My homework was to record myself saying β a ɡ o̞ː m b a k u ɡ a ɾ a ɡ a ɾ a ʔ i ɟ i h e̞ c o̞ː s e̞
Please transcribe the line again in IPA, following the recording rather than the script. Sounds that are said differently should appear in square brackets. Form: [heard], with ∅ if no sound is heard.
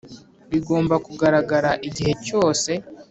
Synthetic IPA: β [i] ɡ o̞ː m b a k u ɡ a ɾ a ɡ a ɾ a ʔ i ɟ i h e̞ c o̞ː s e̞